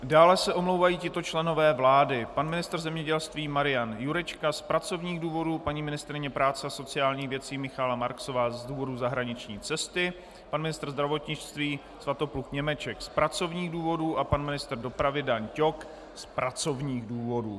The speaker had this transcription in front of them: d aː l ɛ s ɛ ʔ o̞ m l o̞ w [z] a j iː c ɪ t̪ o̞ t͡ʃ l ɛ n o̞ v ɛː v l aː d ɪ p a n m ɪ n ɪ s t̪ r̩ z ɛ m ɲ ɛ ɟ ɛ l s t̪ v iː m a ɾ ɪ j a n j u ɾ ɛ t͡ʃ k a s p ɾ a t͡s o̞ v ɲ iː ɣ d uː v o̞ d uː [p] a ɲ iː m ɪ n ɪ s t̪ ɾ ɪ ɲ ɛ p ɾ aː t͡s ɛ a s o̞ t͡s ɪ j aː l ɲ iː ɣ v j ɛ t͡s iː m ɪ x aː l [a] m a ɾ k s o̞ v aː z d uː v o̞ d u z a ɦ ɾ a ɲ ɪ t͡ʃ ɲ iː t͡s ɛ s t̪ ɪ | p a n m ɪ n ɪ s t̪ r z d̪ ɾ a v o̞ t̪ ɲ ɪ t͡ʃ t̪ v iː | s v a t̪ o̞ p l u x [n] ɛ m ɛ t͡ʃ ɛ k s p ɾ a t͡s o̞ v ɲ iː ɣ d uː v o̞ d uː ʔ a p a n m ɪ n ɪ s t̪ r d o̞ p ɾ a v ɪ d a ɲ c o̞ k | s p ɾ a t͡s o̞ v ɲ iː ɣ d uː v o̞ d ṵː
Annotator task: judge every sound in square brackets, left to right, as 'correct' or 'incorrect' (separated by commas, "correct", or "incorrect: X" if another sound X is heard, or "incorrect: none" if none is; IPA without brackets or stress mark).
incorrect: v, correct, correct, incorrect: ɲ